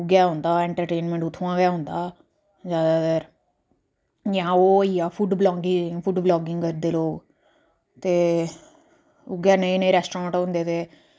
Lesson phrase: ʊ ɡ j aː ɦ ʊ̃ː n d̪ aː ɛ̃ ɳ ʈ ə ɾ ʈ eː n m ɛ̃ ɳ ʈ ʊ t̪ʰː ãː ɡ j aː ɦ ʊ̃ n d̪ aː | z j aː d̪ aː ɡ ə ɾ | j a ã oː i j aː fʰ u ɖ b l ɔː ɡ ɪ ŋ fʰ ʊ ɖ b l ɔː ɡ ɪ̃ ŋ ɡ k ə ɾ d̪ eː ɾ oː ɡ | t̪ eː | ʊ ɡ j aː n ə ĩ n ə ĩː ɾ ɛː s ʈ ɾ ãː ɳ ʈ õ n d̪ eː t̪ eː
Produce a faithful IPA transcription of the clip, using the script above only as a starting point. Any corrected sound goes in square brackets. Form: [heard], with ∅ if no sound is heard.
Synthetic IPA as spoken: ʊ ɡ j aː ɦ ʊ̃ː n d̪ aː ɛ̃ ɳ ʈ ə ɾ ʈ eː n m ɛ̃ ɳ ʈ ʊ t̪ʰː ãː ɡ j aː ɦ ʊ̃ n d̪ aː | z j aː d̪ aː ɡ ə ɾ | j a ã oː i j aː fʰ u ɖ b l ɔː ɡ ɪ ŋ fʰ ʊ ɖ b l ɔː ɡ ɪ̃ ŋ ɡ k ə ɾ d̪ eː [l] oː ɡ | t̪ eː | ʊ ɡ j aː n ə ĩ n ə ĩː ɾ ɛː s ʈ ɾ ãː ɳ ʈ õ n d̪ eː t̪ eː